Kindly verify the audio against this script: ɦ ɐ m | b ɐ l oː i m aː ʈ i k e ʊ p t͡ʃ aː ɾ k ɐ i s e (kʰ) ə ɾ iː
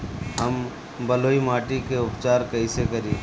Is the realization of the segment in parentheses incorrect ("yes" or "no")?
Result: yes